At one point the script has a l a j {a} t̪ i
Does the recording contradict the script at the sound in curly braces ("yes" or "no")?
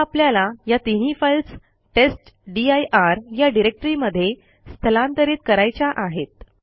no